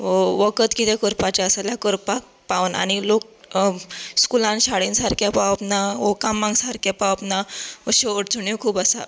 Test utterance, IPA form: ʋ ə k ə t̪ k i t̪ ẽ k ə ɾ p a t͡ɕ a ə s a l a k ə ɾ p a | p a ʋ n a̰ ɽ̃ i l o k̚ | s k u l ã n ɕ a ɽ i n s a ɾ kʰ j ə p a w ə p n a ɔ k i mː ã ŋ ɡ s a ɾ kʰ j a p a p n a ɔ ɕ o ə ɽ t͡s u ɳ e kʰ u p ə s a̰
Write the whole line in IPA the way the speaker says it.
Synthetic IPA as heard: ʋ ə k ə t̪ k i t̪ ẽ k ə ɾ p a t͡ɕ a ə s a l a k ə ɾ p a | p a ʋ n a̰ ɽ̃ i l o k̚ | s k u l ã n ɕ a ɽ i n s a ɾ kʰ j a p a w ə p n a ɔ k a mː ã ŋ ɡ s a ɾ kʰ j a p a p n a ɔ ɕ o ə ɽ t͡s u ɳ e kʰ uː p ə s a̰